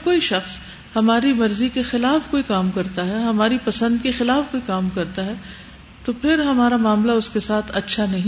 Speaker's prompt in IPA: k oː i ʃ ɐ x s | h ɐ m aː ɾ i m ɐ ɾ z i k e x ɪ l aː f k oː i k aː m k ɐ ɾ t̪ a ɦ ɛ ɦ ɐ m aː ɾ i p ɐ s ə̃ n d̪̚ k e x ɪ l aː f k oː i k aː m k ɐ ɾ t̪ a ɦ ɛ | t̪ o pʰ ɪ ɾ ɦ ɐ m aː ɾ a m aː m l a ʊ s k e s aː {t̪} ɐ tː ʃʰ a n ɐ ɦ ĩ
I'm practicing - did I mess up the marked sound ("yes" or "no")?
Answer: yes